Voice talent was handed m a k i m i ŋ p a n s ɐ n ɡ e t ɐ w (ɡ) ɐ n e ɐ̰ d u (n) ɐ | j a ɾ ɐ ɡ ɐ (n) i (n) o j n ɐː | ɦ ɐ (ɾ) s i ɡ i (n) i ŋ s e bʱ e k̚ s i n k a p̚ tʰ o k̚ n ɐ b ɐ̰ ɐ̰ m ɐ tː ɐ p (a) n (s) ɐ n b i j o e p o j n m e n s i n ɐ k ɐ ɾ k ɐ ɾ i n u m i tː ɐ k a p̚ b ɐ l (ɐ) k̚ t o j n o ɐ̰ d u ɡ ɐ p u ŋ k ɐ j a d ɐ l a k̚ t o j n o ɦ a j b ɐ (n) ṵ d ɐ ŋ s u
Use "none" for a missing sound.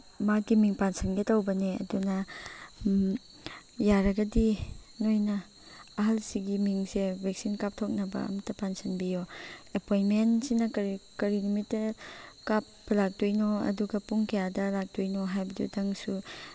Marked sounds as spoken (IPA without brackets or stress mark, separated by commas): b, n, d, n, l, m, a, s, a, d